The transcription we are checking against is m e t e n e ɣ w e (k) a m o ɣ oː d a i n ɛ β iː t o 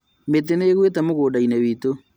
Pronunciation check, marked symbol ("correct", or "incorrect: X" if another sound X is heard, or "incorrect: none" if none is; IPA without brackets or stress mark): incorrect: t